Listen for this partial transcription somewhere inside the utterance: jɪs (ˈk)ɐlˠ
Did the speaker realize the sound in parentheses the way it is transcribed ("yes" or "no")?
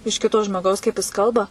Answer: yes